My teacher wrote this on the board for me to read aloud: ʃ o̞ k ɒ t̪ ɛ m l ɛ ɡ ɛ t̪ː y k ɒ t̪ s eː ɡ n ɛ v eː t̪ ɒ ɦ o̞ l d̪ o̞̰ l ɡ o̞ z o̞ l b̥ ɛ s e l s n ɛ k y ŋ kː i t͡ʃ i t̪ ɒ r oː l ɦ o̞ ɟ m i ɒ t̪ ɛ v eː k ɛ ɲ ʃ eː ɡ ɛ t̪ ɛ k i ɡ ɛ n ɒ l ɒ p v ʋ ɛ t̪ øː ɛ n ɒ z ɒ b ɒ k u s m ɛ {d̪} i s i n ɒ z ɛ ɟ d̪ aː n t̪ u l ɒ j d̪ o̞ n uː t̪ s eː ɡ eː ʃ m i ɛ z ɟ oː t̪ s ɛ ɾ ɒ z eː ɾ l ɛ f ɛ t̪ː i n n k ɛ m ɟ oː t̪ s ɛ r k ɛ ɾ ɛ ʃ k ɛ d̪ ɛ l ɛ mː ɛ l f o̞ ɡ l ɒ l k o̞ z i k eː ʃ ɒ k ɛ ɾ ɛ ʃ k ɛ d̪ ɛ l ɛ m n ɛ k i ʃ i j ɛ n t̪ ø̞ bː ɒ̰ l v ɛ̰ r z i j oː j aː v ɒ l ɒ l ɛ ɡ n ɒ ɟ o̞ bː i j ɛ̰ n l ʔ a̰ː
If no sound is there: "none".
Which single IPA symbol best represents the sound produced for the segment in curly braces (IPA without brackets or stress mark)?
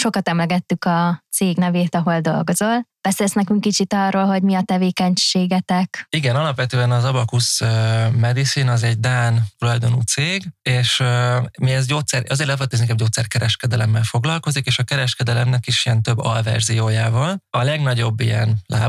d̪